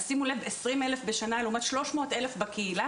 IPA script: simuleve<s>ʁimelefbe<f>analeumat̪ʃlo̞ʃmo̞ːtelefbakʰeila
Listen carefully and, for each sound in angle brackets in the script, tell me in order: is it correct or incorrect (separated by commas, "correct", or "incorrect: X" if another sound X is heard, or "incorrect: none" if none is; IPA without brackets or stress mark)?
correct, incorrect: ʃ